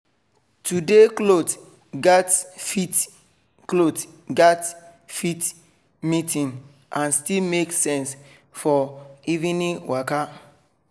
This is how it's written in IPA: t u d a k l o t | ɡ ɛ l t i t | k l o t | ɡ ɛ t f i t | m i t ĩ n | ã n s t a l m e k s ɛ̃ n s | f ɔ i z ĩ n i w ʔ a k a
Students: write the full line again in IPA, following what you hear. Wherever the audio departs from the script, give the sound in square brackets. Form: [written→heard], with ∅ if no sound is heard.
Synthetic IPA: t u d [a→e] k l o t | ɡ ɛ [l→∅] t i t | k l o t | ɡ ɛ t f i t | m i t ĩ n | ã n s t [a→i] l m e k s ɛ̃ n s | f ɔ i [z→v] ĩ n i w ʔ a k a